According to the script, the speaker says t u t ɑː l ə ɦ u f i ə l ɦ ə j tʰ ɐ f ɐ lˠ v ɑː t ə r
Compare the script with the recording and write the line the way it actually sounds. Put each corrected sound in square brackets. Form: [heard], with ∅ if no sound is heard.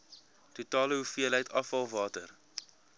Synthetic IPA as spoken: t u t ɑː l ə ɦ u f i ə l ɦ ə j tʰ ɐ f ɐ lˠ v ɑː t ə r